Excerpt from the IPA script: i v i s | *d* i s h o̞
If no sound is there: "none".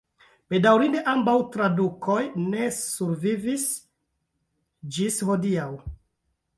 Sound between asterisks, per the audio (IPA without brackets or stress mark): d͡ʒ